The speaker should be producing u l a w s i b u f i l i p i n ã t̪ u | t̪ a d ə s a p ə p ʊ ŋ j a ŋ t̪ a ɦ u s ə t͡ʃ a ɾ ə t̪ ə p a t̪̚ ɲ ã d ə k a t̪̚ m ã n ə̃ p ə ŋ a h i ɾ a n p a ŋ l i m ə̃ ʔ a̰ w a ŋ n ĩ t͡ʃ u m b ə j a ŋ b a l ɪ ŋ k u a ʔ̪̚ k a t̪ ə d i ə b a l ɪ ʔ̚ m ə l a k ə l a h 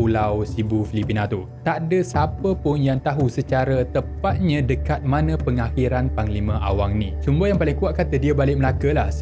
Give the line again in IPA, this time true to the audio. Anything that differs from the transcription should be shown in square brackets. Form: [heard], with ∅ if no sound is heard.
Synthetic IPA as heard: u l a w s i b u f i l i p i n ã t̪ u | t̪ a d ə s a p ə p ʊ [n] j a ŋ t̪ a ɦ u s ə t͡ʃ a ɾ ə t̪ ə p a t̪̚ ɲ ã d ə k a t̪̚ m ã n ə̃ p ə ŋ a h i ɾ a n p a ŋ l i m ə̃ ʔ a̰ w a ŋ n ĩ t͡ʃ u m b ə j a ŋ [p] a l ɪ ŋ k u a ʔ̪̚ k a t̪ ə d i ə b a l ɪ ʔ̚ m ə l a k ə l a h